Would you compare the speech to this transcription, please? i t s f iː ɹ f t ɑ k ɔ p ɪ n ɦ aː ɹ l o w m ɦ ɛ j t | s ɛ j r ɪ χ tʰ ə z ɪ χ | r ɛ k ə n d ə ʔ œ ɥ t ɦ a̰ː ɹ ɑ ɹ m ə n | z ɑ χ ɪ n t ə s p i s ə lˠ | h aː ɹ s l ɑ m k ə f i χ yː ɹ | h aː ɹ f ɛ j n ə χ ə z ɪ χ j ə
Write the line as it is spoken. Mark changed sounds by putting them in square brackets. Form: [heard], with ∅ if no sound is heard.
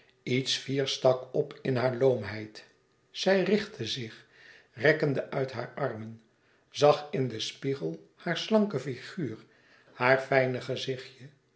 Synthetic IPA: i t s f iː ɹ [s] t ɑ k ɔ p ɪ n ɦ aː ɹ l o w m ɦ ɛ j t | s ɛ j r ɪ χ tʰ ə z ɪ χ | r ɛ k ə n d ə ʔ œ ɥ t ɦ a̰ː ɹ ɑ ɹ m ə n | z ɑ χ ɪ n [d] ə s p i [χ] ə lˠ | h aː ɹ s l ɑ [ŋ] k ə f i χ yː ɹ | h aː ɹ f ɛ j n ə χ ə z ɪ χ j ə

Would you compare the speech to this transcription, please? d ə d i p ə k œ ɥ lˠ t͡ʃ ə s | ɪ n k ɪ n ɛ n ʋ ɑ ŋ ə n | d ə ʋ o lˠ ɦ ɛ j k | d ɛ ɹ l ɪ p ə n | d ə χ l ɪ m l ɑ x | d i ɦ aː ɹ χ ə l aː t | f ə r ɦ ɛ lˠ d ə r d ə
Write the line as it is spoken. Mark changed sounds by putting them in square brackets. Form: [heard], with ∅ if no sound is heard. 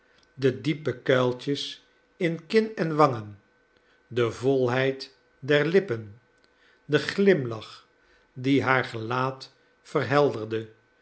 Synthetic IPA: d ə d i p ə k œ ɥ lˠ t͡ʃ ə s | ɪ n k ɪ n ɛ n ʋ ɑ ŋ ə n | d ə [v] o lˠ ɦ ɛ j [t] | d ɛ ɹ l ɪ p ə n | d ə χ l ɪ m l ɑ [χ] | d i ɦ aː ɹ χ ə l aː t | f ə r ɦ ɛ lˠ d ə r d ə

